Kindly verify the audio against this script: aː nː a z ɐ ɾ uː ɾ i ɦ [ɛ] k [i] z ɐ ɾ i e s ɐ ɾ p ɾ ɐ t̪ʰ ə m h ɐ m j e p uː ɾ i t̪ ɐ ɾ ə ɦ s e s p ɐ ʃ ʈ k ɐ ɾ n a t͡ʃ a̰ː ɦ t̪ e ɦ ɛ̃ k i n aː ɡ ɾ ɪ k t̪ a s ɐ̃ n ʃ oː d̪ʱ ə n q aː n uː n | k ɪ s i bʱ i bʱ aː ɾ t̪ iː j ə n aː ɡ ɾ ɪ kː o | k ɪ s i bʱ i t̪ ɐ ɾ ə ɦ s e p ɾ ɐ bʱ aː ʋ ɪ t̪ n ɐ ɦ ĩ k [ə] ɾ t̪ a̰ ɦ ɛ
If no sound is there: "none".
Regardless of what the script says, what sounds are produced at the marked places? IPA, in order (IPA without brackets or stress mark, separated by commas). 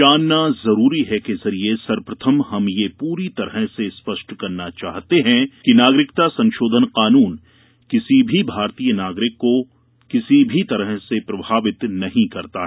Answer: ɛ, e, ɐ